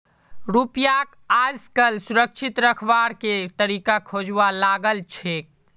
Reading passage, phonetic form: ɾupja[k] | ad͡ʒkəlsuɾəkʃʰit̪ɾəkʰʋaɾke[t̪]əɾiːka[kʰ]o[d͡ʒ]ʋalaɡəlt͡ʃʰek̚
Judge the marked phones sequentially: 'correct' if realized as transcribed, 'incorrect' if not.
correct, correct, correct, correct

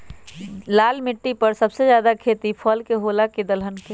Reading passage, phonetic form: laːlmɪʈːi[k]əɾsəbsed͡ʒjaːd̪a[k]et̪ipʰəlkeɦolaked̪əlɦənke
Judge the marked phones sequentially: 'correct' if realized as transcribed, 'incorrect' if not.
incorrect, incorrect

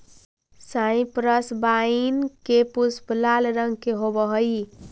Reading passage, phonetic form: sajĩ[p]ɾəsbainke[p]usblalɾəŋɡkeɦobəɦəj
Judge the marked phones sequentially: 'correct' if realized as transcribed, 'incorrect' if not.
correct, correct

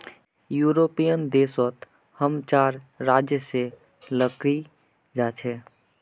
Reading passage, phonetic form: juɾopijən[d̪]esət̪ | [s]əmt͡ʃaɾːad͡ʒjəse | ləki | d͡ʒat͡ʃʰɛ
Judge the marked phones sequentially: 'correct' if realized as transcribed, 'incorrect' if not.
correct, incorrect

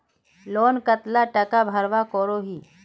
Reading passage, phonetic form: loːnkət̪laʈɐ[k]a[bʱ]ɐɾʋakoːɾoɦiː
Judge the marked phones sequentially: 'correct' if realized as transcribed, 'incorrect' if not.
correct, correct

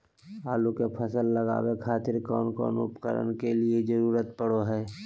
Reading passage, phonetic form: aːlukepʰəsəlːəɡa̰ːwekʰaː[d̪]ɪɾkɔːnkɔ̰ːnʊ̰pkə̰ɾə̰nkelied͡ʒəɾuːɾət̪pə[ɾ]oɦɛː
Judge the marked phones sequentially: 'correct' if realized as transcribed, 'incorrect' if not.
incorrect, incorrect

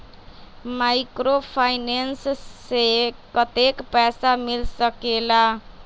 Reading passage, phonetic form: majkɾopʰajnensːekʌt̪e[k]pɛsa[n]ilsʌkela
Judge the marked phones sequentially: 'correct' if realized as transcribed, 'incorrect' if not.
correct, incorrect

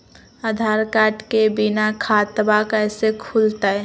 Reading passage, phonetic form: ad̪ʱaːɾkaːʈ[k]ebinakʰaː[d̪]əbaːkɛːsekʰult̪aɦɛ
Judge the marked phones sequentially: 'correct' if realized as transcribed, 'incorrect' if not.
correct, incorrect

